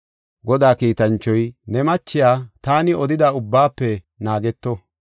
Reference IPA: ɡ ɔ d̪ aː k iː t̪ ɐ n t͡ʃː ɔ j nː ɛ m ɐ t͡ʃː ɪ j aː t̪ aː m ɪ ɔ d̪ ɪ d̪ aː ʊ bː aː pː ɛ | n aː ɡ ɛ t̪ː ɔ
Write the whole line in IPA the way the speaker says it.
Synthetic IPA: ɡ ɔ d̪ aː k iː t̪ ɐ n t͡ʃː ɔ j n ɛ m ɐ t͡ʃː ɪ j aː t̪ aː n ɪ ɔ d̪ ɪ d̪ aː ʊ bː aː pː ɛ | n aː ɡ ɛ t̪ː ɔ